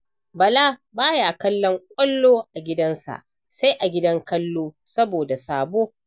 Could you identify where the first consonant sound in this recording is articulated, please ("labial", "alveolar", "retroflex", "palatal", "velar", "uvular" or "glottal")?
labial